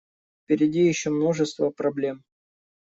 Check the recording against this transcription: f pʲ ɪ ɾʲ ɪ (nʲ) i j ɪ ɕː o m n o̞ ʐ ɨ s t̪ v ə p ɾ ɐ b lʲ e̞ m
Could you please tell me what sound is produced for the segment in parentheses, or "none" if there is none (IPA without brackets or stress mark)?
dʲ